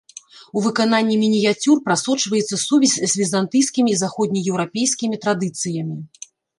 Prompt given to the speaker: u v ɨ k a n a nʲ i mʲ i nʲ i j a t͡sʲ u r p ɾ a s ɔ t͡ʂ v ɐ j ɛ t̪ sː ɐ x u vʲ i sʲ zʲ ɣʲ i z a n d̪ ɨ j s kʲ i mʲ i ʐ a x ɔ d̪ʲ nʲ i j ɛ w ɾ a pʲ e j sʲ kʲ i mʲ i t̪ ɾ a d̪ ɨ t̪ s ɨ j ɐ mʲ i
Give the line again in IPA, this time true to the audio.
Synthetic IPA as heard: u v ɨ k a n a nʲː i mʲ i nʲ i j a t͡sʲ u r p ɾ a s ɔ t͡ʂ v ɐ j ɛ t̪ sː ɐ s u vʲ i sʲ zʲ vʲ i z a n t̪ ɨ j s kʲ i mʲ i z a x ɔ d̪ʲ nʲ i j ɛ w ɾ a pʲ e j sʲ kʲ i mʲ i t̪ ɾ a d̪ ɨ t̪ s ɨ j ɐ mʲ i